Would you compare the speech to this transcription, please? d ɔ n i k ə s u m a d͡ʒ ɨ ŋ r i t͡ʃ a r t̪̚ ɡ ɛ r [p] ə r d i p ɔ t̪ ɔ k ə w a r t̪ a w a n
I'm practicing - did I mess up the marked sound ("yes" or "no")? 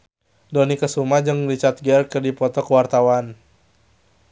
yes